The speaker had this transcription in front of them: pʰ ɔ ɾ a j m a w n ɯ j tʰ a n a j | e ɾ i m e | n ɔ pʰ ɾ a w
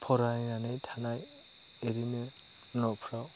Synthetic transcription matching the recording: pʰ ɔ ɾ a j n a n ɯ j tʰ a n a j | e ɾ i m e | n ɔ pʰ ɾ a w